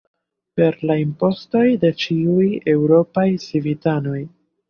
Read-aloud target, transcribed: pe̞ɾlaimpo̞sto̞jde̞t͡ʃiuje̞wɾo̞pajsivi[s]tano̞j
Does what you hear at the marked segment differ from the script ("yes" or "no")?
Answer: yes